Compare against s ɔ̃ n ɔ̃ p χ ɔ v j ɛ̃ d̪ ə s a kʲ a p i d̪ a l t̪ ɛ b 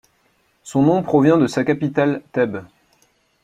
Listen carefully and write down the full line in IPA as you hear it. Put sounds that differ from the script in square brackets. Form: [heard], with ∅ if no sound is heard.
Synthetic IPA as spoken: s ɔ̃ n ɔ̃ p χ ɔ v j ɛ̃ d̪ ə s a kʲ a p i [t̪] a l t̪ ɛ b